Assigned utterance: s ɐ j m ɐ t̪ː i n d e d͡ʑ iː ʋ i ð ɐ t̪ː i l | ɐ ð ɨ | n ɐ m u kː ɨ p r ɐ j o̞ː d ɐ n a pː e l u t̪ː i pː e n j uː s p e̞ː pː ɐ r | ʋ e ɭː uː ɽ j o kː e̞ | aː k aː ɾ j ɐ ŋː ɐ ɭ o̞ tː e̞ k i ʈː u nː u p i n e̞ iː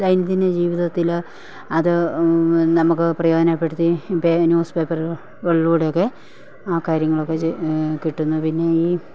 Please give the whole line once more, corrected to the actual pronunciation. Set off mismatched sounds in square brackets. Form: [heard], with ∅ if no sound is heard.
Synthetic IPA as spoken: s ɐ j [n] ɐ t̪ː i n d e d͡ʑ iː ʋ i ð ɐ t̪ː i l | ɐ ð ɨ | n ɐ m u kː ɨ p r ɐ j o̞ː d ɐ n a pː e [ɽ] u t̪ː i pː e n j uː s p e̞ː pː ɐ r | ʋ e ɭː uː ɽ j o kː e̞ | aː k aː ɾ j ɐ ŋː ɐ ɭ o̞ [kː] e̞ k i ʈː u nː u p i [nː] e̞ iː